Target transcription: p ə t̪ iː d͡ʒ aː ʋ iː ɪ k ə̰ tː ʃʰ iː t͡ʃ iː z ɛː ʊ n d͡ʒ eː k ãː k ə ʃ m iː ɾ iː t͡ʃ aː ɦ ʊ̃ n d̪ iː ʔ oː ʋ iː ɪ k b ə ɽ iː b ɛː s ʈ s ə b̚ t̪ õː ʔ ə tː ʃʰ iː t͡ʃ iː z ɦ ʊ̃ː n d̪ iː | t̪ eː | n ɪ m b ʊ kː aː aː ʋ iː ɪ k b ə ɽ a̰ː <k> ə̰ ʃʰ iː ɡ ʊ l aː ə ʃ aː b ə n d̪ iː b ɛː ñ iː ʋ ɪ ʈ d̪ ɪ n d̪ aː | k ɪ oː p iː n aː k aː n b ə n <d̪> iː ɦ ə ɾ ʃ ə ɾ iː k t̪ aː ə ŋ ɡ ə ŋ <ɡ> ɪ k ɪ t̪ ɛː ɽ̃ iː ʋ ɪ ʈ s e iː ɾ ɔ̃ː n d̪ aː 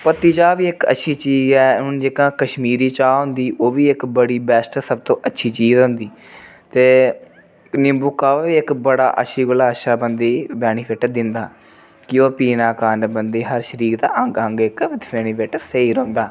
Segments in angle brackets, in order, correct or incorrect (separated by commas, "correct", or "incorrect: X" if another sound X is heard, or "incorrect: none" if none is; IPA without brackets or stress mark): incorrect: ʔ, correct, correct